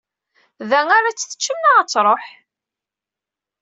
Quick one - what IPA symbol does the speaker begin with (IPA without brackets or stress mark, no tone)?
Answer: ð